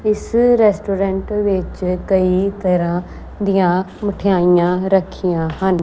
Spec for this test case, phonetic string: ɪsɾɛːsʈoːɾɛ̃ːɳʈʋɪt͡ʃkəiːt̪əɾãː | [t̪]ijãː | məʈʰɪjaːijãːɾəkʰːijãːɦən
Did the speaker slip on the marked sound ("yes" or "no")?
yes